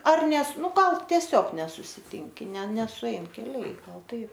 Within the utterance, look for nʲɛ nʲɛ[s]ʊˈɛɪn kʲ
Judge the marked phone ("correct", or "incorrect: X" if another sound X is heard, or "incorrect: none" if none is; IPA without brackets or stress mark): correct